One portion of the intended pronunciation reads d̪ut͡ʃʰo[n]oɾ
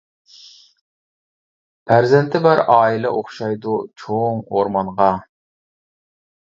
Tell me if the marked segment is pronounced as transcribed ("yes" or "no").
no